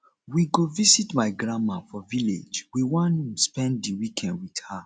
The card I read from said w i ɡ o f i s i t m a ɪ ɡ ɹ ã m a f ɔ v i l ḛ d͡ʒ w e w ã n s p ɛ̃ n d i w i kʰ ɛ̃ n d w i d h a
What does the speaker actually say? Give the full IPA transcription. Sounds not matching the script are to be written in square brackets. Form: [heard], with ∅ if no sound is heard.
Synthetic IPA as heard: w i ɡ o [v] i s i t m a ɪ ɡ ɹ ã m a f ɔ v i l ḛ d͡ʒ w [i] w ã n s p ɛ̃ n d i w i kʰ ɛ̃ n d w i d h a